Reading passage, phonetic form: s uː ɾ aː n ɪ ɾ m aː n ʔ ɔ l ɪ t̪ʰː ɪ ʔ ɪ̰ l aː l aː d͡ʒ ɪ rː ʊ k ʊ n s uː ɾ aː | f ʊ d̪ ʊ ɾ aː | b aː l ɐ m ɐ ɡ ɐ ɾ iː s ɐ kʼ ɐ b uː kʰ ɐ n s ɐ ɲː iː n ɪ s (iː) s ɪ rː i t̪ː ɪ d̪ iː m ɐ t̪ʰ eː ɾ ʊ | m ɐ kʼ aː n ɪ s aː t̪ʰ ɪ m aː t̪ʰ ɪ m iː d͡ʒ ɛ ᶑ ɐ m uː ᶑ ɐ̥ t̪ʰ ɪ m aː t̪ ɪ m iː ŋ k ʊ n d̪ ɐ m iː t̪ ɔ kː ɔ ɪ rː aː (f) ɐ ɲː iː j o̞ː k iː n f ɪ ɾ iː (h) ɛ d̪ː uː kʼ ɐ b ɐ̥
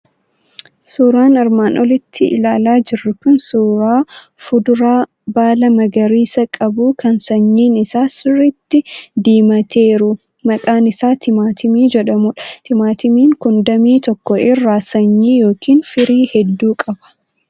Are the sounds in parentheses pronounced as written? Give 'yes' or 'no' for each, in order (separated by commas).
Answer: no, no, yes